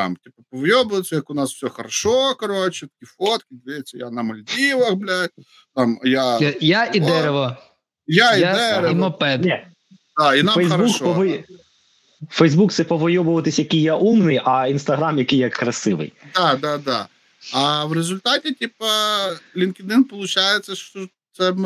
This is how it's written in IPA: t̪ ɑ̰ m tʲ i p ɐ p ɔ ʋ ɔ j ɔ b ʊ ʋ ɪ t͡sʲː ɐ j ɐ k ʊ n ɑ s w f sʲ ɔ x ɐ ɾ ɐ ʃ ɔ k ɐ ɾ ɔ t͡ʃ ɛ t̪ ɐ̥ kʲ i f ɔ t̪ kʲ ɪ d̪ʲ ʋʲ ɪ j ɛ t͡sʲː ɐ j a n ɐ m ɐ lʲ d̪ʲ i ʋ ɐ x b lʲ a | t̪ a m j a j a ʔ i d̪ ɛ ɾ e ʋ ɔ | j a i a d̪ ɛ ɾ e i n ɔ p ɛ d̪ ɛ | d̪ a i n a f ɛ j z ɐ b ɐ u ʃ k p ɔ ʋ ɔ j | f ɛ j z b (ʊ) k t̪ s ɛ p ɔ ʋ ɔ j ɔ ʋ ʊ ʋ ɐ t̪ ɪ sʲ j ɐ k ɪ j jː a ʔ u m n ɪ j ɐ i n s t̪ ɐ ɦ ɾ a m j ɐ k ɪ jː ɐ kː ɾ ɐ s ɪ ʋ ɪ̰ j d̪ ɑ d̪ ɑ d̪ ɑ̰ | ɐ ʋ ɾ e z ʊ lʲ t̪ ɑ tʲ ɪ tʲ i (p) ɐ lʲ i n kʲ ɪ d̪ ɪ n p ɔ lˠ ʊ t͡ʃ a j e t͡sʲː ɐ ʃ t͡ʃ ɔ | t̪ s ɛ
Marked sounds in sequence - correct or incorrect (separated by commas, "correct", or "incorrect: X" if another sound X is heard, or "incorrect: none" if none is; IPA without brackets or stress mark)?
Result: incorrect: u, correct